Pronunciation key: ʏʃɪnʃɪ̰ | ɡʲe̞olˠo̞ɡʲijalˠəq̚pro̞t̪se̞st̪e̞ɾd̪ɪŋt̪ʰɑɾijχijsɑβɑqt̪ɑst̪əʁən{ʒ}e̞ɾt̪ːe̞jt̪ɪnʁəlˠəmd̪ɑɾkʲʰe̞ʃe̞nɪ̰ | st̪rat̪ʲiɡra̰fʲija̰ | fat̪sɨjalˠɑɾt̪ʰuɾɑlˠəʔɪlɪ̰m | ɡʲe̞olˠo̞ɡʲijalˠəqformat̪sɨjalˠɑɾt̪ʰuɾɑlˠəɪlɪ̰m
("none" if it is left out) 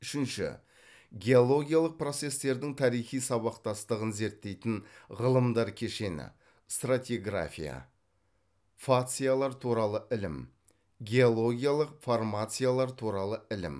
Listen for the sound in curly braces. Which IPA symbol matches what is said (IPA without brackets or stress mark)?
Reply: z